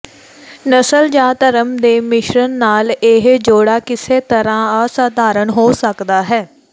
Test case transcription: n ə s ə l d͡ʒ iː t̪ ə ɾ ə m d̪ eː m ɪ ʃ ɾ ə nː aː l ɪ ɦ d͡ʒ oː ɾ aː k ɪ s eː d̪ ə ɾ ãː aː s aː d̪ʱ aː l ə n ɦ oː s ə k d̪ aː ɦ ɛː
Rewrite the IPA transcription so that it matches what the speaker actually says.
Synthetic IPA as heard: n ə s ə l d͡ʒ aː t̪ ə ɾ ə m d̪ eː m ɪ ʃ ɾ ə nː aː l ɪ ɦ d͡ʒ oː ɽ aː k ɪ s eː t̪ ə ɾ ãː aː s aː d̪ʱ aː ɾ ə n ɦ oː s ə k d̪ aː ɦ ɛː